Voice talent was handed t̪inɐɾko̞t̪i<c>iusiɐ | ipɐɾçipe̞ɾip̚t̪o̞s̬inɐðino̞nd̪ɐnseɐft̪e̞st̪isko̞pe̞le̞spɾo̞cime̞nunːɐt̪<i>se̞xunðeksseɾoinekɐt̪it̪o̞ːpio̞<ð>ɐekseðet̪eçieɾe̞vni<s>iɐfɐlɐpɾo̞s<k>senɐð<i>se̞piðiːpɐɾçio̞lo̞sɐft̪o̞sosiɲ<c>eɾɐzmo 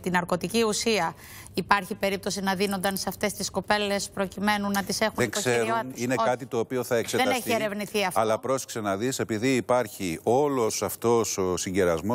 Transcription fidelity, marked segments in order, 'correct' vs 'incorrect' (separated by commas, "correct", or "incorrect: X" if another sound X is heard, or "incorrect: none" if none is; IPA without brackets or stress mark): correct, correct, incorrect: θ, incorrect: θ, correct, correct, incorrect: ɟ